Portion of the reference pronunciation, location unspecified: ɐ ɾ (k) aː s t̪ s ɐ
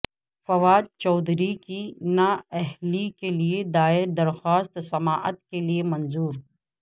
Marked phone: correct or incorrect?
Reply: incorrect: x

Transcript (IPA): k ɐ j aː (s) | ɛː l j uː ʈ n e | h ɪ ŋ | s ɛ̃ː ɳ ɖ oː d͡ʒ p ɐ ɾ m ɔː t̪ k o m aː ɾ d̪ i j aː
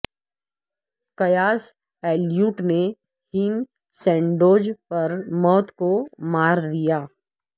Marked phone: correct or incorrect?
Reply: correct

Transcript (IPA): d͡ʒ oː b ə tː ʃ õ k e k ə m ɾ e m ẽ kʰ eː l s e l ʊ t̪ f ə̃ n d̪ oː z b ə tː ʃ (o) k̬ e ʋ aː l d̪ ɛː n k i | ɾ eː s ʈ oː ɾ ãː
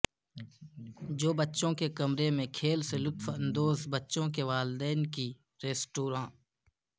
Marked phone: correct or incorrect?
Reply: incorrect: õ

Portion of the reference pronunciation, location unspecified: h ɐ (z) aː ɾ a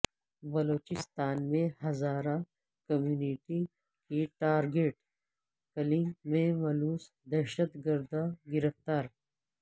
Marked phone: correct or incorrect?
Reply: correct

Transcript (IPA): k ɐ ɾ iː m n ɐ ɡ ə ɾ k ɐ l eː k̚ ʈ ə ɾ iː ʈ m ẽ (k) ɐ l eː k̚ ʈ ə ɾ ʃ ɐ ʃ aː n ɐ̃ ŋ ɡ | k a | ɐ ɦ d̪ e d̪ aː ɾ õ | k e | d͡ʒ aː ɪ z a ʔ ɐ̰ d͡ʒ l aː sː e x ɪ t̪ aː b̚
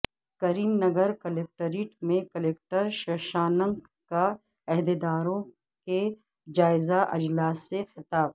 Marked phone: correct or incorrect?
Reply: correct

